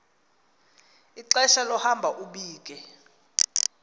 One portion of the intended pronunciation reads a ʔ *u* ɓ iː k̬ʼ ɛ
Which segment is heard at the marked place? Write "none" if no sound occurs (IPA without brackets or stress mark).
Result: u